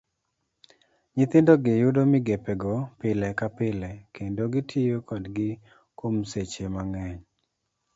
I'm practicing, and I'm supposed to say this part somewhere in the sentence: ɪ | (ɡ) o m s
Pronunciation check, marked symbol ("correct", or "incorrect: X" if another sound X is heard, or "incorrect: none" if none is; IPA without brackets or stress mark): incorrect: k